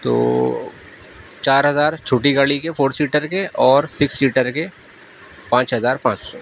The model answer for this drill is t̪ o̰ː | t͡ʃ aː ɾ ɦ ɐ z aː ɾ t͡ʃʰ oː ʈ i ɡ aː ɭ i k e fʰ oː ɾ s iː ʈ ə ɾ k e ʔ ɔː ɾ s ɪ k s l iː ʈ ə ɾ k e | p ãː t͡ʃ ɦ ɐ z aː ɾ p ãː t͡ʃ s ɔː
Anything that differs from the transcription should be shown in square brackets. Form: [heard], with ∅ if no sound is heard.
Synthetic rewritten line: t̪ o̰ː | t͡ʃ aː ɾ ɦ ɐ z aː ɾ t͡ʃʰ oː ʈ i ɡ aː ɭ i k e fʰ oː ɾ s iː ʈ ə ɾ k e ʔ ɔː ɾ s ɪ k s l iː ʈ ə ɾ k e | p ãː t͡ʃ ɦ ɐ z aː ɾ p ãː t͡ʃ s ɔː